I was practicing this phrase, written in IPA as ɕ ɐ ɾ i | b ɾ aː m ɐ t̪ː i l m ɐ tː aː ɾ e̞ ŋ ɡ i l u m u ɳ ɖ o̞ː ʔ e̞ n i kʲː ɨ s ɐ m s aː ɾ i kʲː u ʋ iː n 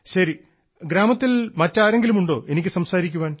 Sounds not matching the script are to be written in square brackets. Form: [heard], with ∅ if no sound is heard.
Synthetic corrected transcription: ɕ ɐ ɾ i | [ɡ] ɾ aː m ɐ t̪ː i l m ɐ tː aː ɾ e̞ ŋ ɡ i l u m u ɳ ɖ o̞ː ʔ e̞ n i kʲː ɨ s ɐ m s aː ɾ i kʲː u ʋ [aː] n